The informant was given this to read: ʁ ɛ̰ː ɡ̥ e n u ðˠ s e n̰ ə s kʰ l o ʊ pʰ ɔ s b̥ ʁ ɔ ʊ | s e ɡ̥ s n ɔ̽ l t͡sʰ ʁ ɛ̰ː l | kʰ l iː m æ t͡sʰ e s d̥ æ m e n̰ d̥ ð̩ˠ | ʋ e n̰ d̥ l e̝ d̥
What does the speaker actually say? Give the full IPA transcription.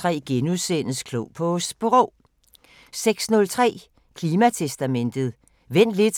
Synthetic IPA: ʁ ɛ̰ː ɡ̥ e n u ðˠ s e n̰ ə s kʰ l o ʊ pʰ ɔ s b̥ ʁ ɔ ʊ | s e ɡ̥ s n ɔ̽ l t͡sʰ ʁ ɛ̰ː | kʰ l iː m æ t͡sʰ e s d̥ æ m e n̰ d̥ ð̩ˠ | ʋ e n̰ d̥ l e̝ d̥

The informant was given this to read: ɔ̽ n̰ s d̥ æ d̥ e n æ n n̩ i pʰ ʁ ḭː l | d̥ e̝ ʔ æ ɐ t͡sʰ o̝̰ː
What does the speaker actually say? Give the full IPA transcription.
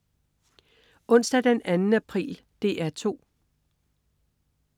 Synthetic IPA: ɔ̽ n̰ s d̥ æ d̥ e n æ n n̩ æ pʰ ʁ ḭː l | d̥ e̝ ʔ æ ɐ t͡sʰ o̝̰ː

